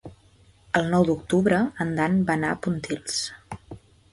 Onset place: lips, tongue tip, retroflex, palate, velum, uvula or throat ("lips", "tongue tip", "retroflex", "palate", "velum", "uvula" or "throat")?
tongue tip